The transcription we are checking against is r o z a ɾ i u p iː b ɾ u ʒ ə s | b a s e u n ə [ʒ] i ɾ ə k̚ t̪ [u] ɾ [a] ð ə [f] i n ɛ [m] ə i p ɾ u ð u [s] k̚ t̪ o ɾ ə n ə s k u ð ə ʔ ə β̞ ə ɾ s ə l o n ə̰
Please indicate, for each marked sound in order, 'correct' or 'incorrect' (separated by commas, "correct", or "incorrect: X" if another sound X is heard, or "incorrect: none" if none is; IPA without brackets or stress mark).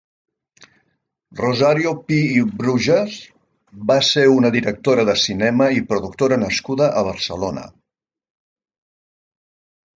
incorrect: ð, incorrect: o, incorrect: ə, incorrect: s, correct, incorrect: none